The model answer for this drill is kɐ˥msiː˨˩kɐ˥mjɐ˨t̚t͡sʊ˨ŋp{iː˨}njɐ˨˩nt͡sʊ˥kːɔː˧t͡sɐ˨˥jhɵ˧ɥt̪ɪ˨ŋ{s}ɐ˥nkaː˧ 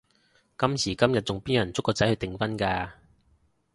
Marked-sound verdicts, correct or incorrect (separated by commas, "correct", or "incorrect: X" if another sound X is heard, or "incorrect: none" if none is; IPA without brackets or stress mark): incorrect: iː˥, incorrect: f